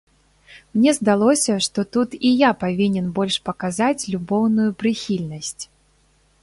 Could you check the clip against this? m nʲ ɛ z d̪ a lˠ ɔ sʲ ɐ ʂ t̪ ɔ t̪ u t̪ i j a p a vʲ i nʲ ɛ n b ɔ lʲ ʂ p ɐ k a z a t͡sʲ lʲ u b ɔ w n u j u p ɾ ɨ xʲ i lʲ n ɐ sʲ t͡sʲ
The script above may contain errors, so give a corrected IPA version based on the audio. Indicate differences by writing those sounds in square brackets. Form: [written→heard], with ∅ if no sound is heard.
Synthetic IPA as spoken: m nʲ ɛ z d̪ a lˠ ɔ sʲ ɐ ʂ t̪ ɔ t̪ u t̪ i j a p a vʲ i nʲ ɛ n b ɔ lʲ ʂ p ɐ k a z a t͡sʲ lʲ u b ɔ w n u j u p ɾ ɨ xʲ i lʲ n ɐ sʲ t͡sʲ